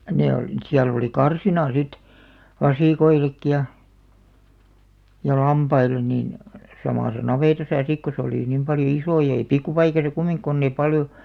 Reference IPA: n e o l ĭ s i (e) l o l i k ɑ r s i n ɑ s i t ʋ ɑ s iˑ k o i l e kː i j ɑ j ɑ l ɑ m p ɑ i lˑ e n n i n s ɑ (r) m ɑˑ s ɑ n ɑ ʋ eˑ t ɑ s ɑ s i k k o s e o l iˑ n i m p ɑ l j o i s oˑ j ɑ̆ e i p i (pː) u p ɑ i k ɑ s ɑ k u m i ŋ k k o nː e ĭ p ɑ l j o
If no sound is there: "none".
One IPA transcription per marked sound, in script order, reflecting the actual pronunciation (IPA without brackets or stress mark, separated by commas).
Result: æ, none, kː